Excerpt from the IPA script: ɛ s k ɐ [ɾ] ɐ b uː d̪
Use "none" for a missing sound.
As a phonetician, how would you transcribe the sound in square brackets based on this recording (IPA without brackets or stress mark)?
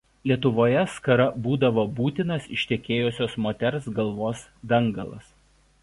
ɾ